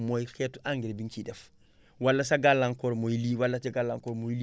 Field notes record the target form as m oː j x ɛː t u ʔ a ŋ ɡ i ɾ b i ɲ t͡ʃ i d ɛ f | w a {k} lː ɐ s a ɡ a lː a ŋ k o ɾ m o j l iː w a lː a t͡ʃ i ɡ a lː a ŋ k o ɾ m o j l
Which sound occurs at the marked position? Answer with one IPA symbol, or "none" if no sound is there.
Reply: none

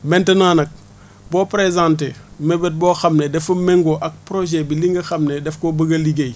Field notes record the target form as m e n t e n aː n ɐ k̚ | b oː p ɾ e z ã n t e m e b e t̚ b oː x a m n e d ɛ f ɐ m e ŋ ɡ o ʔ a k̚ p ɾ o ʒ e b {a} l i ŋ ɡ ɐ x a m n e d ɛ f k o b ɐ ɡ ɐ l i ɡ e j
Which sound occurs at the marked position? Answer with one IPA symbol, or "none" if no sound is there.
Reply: i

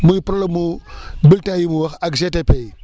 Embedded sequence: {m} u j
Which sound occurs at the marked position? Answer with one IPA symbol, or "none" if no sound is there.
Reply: m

